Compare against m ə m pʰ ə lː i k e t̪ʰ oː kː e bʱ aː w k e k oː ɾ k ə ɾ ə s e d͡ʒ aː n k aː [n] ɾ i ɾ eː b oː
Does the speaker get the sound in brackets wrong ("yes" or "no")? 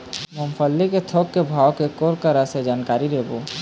yes